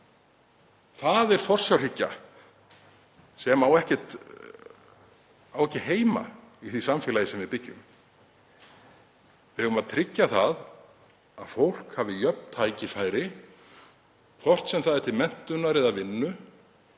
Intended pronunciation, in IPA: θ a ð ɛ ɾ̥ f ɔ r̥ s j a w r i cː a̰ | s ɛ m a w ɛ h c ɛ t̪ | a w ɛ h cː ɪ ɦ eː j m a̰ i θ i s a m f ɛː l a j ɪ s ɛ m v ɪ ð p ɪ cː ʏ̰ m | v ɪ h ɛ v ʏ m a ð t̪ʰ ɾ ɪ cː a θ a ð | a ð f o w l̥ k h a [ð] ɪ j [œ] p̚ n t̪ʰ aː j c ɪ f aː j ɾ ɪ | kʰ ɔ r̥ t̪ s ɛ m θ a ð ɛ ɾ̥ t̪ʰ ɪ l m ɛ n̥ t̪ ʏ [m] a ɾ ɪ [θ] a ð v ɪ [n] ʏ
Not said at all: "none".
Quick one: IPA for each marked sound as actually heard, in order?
v, œ, n, ð, nː

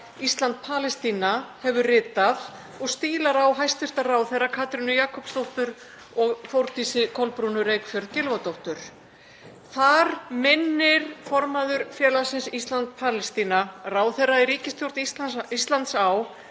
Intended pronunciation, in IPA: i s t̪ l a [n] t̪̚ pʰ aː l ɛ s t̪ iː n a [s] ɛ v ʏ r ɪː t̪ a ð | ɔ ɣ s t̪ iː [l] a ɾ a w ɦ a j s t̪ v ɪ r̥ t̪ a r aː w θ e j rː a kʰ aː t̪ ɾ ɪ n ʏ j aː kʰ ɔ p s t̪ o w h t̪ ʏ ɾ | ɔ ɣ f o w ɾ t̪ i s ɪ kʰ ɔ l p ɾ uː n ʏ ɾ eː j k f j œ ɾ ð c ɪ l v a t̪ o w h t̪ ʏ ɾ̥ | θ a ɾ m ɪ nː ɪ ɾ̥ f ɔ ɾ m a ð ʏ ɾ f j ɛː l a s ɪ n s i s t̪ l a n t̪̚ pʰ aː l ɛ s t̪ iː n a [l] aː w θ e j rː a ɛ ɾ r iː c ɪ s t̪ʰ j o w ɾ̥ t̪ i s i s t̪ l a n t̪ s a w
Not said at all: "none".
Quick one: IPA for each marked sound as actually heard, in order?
n, h, l, r

